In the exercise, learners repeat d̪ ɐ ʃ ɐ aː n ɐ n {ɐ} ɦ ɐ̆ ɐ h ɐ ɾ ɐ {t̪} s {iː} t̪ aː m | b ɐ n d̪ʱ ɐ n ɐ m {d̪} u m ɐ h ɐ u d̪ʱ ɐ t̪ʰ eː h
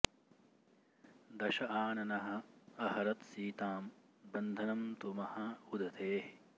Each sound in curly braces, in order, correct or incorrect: correct, correct, correct, incorrect: t̪

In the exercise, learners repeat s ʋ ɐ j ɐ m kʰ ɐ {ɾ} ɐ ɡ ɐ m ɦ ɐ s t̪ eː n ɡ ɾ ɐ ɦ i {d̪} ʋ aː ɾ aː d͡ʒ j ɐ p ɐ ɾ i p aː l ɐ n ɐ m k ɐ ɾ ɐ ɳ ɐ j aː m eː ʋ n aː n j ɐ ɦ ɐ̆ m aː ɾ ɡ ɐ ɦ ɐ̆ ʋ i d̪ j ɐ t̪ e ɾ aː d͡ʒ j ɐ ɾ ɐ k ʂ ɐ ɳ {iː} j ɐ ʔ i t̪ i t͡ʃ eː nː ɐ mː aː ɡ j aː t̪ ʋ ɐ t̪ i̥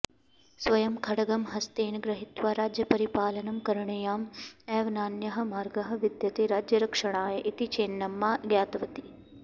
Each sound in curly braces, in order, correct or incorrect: incorrect: ɽ, incorrect: t̪, incorrect: aː

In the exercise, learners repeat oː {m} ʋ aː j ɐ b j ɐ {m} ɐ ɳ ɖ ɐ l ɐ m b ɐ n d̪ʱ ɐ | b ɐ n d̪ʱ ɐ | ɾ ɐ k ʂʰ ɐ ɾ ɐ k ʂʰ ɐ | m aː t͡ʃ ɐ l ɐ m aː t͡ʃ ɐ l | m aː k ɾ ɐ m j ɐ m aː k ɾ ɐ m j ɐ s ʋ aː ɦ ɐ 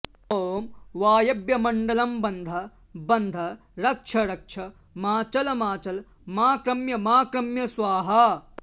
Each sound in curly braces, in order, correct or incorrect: correct, correct

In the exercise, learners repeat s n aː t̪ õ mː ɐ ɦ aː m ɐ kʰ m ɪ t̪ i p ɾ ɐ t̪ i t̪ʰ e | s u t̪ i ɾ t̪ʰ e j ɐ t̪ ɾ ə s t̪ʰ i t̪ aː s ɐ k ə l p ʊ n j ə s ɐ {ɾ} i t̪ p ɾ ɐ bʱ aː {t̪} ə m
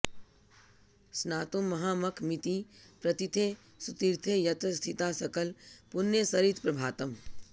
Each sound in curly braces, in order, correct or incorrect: correct, correct

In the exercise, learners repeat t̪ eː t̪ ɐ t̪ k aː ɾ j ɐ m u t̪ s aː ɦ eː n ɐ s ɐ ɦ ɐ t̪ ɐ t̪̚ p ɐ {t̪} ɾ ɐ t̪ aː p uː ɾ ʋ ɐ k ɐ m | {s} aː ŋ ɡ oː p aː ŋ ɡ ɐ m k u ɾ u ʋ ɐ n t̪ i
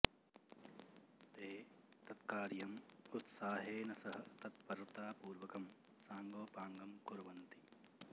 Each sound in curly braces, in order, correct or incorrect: incorrect: none, correct

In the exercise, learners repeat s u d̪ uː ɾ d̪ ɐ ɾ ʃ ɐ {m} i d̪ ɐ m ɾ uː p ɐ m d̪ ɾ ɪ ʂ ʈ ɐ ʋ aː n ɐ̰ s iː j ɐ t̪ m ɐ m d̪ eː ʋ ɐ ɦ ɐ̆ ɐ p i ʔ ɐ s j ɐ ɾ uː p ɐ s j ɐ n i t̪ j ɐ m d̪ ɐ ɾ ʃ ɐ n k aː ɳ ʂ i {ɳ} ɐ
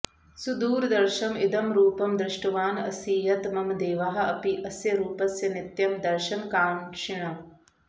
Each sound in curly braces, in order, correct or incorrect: correct, correct

